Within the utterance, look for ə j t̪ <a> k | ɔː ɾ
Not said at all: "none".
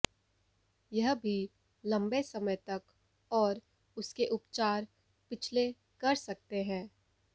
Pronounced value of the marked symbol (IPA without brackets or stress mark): ɐ